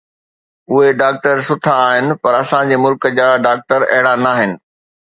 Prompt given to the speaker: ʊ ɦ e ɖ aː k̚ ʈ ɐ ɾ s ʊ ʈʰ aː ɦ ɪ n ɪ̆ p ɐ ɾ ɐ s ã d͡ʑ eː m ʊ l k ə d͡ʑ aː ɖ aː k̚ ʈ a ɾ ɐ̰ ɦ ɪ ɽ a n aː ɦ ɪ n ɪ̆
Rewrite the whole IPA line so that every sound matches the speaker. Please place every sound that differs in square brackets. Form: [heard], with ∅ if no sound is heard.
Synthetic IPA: ʊ ɦ e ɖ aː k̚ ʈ [ə] ɾ s ʊ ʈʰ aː ɦ ɪ n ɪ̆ p ɐ ɾ ɐ s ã d͡ʑ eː m ʊ l k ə d͡ʑ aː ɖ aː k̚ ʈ [ə] ɾ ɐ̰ ɦ ɪ ɽ a n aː ɦ ɪ n ɪ̆